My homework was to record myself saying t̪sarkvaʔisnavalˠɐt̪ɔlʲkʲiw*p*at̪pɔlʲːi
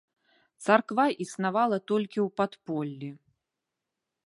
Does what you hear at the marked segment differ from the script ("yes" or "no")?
no